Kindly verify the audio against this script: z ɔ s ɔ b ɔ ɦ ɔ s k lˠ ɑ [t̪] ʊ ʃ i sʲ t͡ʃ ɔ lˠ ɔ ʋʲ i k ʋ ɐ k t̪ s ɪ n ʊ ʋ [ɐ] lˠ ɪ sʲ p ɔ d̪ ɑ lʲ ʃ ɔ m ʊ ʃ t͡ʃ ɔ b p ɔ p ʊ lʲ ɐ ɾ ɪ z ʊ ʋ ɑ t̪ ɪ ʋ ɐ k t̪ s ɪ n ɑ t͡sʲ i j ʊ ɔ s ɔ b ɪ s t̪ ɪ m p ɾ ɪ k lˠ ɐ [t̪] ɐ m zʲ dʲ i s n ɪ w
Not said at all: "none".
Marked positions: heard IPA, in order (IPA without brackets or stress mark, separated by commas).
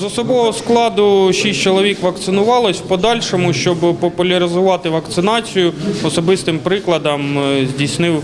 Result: d̪, ɑ, d̪